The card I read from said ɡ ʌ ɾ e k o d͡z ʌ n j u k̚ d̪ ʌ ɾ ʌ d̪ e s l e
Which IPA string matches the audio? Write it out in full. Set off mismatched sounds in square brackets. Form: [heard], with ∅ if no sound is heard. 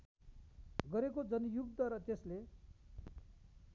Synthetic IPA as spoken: ɡ ʌ ɾ e k o d͡z ʌ n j u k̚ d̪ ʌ ɾ ʌ [t̪] e s l e